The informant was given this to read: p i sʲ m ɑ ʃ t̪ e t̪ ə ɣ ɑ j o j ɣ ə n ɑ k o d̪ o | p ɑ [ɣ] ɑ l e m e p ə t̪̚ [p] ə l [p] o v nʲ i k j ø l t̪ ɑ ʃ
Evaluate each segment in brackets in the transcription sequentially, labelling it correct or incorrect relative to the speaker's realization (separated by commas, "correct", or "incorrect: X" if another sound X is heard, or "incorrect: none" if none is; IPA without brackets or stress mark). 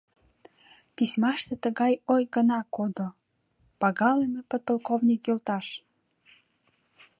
correct, correct, incorrect: k